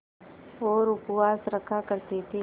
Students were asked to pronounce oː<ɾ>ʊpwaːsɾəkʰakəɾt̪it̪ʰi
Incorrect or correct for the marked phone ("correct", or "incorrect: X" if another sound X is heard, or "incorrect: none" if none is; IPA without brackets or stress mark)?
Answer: correct